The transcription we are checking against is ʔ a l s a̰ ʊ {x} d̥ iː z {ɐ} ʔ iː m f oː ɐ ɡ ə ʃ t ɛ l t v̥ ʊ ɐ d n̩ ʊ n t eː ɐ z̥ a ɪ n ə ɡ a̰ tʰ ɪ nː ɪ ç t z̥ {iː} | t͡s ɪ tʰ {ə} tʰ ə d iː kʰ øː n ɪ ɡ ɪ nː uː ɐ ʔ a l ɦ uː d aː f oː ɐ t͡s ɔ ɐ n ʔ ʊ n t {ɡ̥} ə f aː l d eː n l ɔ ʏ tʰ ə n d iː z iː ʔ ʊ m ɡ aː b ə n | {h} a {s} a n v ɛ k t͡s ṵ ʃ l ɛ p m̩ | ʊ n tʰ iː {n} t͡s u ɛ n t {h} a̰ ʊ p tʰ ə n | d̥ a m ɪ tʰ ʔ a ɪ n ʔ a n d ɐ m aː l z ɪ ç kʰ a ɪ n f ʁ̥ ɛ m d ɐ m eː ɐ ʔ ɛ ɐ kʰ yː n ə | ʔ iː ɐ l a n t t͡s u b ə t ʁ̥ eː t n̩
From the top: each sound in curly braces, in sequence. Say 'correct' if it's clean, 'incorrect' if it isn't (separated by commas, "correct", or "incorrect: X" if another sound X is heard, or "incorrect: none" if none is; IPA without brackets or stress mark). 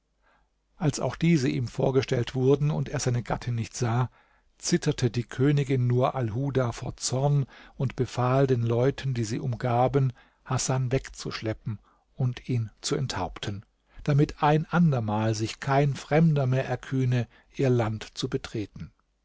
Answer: correct, incorrect: ə, incorrect: aː, incorrect: ɐ, incorrect: b̥, correct, correct, correct, correct